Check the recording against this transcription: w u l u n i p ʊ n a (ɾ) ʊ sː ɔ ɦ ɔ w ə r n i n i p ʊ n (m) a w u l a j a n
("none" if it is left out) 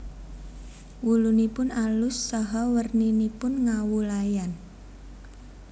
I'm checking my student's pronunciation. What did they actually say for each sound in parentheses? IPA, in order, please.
l, ŋ

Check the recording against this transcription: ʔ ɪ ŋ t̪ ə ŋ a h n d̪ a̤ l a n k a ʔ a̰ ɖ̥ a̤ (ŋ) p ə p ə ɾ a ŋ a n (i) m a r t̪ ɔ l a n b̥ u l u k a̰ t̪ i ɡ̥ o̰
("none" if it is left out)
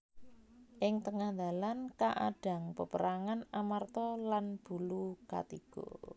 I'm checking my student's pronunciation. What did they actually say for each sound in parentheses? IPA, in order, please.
ŋ, a

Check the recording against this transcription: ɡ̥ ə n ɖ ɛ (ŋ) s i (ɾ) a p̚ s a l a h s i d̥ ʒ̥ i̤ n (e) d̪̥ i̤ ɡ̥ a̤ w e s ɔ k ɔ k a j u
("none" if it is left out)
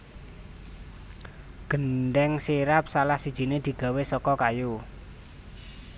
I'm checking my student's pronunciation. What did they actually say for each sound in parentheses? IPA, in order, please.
ŋ, ɾ, e

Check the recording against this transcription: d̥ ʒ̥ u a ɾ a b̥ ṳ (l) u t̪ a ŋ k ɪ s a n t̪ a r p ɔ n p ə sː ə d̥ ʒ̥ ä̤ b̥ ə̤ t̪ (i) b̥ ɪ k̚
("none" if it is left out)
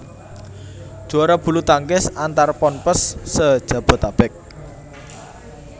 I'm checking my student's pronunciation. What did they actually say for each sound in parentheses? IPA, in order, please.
l, a

